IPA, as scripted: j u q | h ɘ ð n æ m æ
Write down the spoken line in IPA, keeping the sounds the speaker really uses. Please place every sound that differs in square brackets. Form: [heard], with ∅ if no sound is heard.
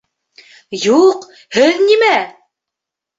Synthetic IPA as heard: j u q | h ɘ ð n [i] m æ